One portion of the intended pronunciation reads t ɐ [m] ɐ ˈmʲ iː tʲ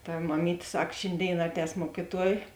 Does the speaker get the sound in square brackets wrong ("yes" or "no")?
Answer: no